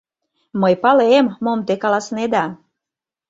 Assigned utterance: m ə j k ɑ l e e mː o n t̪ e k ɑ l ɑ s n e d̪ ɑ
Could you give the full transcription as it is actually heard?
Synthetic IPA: m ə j p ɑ l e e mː o m t̪ e k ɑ l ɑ s n e d̪ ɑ